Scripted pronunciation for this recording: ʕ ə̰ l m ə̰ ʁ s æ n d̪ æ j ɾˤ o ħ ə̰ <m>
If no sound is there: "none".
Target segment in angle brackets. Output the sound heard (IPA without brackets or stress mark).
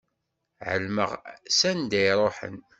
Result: n